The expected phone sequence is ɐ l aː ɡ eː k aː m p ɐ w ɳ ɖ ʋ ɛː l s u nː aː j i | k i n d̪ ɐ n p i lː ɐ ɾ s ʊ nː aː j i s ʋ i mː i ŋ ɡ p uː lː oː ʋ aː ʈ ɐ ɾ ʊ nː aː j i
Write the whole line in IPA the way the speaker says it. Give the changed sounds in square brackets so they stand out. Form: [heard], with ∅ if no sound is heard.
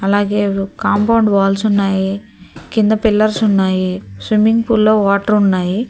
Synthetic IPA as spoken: ɐ l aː ɡ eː k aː m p ɐ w ɳ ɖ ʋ [aː] l s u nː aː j i | k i n d̪ ɐ [∅] p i lː ɐ ɾ s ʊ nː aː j i s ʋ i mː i ŋ ɡ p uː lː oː ʋ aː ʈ ɐ ɾ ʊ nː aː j i